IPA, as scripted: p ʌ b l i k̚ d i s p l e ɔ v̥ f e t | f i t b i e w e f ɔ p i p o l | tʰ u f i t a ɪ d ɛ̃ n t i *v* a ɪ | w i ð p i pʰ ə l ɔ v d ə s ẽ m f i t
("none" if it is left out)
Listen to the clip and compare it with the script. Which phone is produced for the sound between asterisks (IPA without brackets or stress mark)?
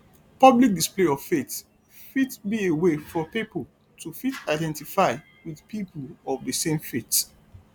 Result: f